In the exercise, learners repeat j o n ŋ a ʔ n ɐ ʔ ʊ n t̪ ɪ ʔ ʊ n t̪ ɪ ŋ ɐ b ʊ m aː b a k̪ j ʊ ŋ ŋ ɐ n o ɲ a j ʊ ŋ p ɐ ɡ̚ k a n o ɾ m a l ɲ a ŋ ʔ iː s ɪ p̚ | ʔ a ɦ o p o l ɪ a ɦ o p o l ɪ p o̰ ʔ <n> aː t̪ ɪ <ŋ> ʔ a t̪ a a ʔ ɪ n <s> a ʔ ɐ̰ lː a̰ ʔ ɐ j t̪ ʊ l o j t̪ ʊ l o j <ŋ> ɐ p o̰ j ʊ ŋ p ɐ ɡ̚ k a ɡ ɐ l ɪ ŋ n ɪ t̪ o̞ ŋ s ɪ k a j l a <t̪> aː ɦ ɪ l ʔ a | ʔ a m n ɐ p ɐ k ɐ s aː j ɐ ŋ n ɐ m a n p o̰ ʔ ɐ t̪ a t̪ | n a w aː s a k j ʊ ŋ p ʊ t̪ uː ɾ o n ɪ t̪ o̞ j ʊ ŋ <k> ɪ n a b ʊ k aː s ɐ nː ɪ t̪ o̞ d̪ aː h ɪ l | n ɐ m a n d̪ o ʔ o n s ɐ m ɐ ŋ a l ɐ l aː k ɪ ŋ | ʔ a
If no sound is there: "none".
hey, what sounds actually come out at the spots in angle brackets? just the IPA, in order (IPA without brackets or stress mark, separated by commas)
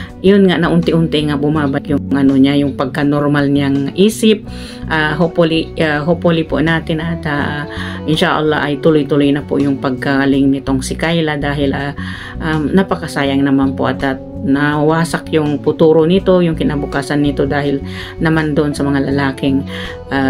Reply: n, n, ʃ, n, d̪, k